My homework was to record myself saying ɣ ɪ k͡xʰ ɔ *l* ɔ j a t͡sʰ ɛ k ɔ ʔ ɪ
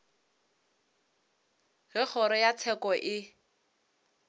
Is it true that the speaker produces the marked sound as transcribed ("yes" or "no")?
no